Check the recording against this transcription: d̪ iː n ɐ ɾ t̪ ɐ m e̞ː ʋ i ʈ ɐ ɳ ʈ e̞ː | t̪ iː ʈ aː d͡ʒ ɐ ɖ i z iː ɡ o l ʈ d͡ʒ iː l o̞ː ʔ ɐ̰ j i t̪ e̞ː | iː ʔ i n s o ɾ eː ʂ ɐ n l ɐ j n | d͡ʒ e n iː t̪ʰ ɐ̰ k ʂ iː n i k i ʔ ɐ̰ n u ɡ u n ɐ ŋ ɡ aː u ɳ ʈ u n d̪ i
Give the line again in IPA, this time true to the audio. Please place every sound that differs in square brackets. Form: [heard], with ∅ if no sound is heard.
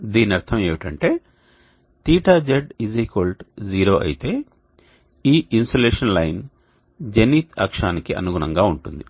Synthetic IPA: d̪ iː n ɐ ɾ [t̪ʰ] ɐ m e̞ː ʋ i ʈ ɐ ɳ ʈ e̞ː | t̪ iː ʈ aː d͡ʒ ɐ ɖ i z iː [k] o l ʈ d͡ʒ iː [ɾ] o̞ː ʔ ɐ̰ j i t̪ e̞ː | iː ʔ i n s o [l] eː ʂ ɐ n l ɐ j n | d͡ʒ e n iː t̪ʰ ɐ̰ k ʂ [aː] n i k i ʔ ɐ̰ n u ɡ u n ɐ ŋ ɡ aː u ɳ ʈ u n d̪ i